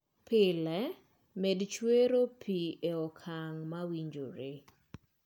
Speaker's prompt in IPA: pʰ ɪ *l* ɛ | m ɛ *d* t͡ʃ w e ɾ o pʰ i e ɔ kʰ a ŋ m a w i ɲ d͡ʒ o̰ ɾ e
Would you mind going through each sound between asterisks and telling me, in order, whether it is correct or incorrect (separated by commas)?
correct, correct